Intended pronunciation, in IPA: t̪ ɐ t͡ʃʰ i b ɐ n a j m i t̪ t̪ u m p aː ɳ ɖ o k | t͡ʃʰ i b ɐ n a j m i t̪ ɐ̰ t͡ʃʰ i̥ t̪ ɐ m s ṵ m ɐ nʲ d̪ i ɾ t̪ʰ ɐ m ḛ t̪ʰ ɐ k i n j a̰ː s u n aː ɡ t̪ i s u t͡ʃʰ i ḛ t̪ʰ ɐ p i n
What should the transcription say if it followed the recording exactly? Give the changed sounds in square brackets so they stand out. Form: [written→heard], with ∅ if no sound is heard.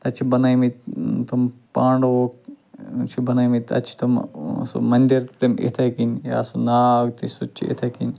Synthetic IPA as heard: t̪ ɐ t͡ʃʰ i b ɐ n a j m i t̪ t̪ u m p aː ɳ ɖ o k | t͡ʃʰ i b ɐ n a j m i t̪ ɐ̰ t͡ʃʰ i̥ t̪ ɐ m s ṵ m ɐ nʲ d̪ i ɾ [t̪ʰ→t̪] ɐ m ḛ t̪ʰ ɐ k i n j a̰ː s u n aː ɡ t̪ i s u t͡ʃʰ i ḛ t̪ʰ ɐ [p→k] i n